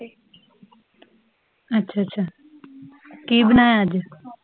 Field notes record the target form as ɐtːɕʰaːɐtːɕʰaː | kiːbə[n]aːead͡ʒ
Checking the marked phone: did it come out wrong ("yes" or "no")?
no